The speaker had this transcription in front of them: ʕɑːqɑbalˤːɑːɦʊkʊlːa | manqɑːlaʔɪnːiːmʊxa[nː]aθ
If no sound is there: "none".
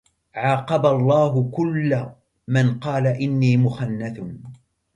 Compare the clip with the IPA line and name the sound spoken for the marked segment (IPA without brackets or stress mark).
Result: nː